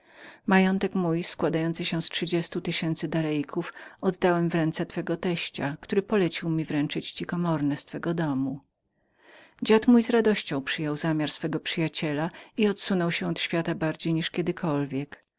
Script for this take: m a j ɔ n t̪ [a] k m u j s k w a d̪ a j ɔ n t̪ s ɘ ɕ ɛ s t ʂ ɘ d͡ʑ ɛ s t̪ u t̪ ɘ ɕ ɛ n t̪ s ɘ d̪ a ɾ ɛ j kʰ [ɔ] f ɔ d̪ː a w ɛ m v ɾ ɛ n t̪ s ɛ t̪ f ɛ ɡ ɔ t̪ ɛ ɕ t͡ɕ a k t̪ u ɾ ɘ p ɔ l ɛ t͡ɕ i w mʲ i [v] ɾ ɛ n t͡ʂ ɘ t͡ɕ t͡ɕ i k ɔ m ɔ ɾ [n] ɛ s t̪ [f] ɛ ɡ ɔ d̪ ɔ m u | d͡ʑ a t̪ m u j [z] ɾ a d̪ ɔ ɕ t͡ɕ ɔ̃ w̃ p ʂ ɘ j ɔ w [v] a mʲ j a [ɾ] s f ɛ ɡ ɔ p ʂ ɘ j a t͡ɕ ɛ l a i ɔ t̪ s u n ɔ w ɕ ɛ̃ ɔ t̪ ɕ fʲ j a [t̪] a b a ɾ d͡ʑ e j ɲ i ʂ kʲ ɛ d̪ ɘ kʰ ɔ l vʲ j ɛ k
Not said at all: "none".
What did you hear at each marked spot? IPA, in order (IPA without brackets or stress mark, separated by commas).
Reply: ɛ, u, v, n, f, z, z, ɾ, t̪